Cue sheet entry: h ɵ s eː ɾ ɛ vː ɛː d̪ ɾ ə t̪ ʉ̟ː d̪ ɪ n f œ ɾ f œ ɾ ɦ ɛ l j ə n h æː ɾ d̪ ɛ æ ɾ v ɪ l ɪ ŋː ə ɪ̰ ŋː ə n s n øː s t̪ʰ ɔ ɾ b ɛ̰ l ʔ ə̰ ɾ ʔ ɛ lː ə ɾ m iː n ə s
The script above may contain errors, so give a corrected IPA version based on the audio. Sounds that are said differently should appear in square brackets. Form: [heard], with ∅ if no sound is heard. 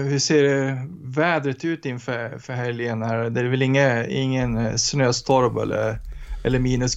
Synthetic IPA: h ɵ s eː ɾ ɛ [v] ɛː d̪ ɾ ə t̪ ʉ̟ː [t̪] ɪ n f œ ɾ f œ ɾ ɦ ɛ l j ə n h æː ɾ d̪ ɛ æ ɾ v ɪ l ɪ ŋː ə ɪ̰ ŋː ə n s n øː s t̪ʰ ɔ ɾ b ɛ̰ l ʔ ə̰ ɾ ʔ ɛ lː ə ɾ m iː n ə s